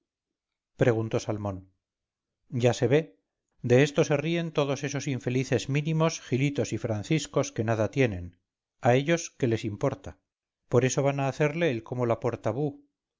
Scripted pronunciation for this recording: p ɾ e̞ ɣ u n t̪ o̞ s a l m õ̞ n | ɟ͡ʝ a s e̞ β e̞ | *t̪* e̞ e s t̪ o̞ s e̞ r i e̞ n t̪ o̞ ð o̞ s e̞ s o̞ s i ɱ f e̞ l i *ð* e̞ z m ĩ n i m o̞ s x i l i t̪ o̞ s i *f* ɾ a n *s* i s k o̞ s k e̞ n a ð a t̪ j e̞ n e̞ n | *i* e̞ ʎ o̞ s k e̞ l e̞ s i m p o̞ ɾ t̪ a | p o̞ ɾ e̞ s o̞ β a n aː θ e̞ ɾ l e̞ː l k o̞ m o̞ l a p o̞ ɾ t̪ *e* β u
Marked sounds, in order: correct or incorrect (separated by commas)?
incorrect, incorrect, correct, incorrect, incorrect, incorrect